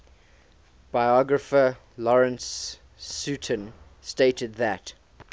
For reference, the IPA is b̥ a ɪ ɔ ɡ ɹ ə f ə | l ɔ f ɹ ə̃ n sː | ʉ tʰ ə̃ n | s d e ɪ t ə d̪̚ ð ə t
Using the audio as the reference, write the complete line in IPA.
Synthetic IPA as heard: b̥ a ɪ ɔ ɡ ɹ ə f ə | l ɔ ɹ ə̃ n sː | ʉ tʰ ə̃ n | s t e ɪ t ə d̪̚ ð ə t